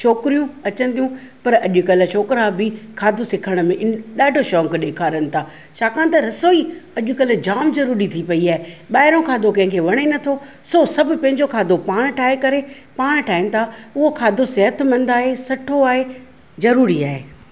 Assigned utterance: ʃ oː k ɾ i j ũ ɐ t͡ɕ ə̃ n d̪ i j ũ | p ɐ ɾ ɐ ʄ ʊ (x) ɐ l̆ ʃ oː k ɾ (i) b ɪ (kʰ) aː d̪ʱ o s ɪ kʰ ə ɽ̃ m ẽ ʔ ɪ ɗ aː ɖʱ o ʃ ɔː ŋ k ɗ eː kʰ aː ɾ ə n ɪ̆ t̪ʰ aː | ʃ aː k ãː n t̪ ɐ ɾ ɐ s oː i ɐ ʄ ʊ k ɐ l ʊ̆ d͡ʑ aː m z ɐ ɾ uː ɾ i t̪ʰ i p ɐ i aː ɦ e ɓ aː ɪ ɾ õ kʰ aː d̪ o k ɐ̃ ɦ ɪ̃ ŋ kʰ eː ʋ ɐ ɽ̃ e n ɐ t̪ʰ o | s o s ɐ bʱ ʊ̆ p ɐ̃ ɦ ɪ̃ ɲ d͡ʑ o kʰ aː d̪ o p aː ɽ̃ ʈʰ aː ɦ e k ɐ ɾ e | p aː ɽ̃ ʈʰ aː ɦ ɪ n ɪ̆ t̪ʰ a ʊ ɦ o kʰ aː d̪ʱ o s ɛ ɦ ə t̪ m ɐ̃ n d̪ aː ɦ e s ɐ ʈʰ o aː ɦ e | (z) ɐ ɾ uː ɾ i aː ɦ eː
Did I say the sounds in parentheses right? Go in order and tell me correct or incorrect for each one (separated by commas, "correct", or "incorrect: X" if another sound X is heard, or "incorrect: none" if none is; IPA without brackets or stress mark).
incorrect: k, incorrect: a, correct, correct